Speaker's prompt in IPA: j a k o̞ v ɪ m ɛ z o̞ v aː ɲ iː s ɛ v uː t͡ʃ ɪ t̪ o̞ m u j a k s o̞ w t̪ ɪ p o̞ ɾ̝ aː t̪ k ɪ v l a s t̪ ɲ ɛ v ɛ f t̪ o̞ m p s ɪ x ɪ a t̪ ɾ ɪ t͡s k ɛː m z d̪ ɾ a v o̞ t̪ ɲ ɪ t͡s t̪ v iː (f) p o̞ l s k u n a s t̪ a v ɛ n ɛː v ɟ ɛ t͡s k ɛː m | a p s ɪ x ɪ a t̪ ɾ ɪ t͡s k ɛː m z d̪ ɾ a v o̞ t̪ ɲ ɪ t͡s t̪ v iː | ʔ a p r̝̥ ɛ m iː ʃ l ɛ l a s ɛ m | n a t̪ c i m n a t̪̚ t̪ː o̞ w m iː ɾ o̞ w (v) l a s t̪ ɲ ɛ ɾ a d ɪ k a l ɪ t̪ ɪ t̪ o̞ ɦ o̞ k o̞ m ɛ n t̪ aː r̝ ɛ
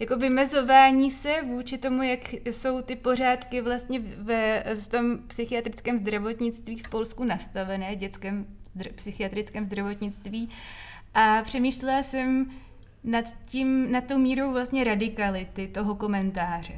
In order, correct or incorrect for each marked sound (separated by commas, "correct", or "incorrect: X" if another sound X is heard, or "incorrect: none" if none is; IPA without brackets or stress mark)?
correct, correct